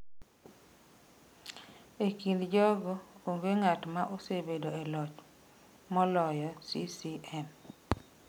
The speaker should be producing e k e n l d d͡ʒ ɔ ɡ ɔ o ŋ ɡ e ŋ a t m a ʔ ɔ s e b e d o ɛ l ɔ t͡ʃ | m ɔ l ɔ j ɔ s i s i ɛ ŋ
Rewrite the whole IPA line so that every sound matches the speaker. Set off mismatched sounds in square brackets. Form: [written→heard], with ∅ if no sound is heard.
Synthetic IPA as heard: e k [e→i] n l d d͡ʒ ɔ ɡ ɔ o ŋ ɡ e ŋ a t m a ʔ [ɔ→o] s e b e d o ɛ l ɔ t͡ʃ | m ɔ l ɔ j ɔ s i s i ɛ [ŋ→m]